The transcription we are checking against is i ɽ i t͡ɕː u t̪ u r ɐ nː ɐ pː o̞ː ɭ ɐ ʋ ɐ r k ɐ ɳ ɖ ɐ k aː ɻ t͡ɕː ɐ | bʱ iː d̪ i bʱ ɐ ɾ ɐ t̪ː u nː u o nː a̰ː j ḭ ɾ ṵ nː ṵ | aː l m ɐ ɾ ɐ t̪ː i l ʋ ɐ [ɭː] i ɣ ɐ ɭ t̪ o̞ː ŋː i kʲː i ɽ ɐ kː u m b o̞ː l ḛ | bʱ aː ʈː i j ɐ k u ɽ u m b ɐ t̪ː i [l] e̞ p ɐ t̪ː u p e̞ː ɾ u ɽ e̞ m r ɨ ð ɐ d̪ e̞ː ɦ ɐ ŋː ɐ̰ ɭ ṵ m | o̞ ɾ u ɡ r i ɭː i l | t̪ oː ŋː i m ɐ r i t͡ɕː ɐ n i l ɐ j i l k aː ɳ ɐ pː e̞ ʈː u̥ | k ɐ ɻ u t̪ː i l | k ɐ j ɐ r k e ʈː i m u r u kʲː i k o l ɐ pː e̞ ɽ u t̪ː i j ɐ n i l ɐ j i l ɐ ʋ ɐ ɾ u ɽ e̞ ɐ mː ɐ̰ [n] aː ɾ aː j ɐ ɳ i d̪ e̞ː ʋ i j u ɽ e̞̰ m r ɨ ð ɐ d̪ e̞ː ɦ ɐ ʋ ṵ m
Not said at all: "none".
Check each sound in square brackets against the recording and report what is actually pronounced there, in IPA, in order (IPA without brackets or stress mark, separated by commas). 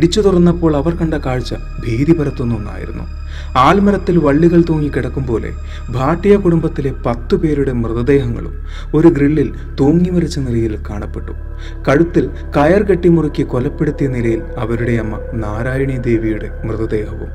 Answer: ɭː, l, n